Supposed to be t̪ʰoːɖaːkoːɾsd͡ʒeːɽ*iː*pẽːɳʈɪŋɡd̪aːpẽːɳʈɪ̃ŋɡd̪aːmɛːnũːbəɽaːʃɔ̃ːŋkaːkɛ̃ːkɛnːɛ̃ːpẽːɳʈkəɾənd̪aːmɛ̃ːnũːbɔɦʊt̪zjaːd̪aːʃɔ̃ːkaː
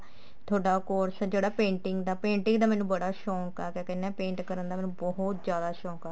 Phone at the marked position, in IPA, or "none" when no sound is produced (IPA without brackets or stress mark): aː